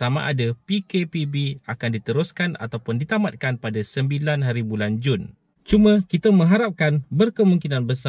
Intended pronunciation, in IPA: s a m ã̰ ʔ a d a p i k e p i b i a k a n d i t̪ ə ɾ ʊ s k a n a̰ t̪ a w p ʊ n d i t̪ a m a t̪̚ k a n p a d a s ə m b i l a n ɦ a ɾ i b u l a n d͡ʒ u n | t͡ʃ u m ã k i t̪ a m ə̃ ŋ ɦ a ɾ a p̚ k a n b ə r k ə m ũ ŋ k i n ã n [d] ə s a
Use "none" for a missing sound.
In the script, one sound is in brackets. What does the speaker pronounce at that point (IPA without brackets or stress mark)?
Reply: b